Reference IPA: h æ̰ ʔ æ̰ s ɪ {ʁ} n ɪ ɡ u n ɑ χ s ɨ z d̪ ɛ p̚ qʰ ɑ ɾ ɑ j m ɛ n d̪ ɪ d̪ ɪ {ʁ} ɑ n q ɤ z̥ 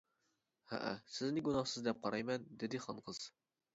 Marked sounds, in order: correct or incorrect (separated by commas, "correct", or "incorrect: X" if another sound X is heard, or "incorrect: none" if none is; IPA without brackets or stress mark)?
incorrect: z, incorrect: χ